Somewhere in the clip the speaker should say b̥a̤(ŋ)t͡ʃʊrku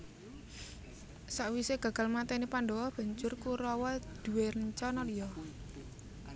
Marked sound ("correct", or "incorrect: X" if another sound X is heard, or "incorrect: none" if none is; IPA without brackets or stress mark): incorrect: ɲ